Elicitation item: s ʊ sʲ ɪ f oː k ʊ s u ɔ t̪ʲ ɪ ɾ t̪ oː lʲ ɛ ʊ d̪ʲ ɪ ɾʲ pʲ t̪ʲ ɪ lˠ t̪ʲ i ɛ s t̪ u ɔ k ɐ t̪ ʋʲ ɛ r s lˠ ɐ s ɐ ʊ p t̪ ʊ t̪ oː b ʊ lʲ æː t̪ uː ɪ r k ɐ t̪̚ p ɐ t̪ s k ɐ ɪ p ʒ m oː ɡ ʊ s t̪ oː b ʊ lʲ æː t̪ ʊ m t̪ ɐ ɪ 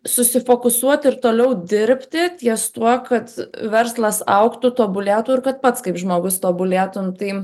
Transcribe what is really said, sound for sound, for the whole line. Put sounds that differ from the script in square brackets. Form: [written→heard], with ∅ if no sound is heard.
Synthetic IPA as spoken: s ʊ sʲ ɪ f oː k ʊ s u ɔ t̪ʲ ɪ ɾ t̪ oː lʲ ɛ ʊ d̪ʲ ɪ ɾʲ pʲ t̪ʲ ɪ [lˠ→∅] t̪ʲ i ɛ s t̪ u ɔ k ɐ t̪ ʋʲ ɛ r s lˠ ɐ s ɐ ʊ [p→k] t̪ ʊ t̪ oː b ʊ lʲ æː t̪ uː ɪ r k ɐ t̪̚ p ɐ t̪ s k ɐ ɪ p ʒ m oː ɡ ʊ s t̪ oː b ʊ lʲ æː t̪ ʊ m t̪ ɐ ɪ